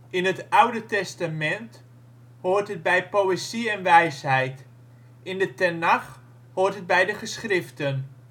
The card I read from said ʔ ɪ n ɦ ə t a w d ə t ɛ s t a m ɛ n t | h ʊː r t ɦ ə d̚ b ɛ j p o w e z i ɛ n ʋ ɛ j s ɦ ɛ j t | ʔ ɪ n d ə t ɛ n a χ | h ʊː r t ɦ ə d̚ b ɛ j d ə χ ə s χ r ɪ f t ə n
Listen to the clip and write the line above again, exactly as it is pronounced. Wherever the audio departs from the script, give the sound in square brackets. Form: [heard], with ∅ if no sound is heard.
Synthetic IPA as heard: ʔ ɪ n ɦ ə t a w d ə t ɛ s t a m ɛ n t | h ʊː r t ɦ ə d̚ b ɛ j p o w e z i ɛ n ʋ ɛ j s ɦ ɛ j t | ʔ ɪ n d ə t ɛ n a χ | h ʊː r t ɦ ə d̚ b ɛ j d ə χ ə s χ r ɪ f t ə n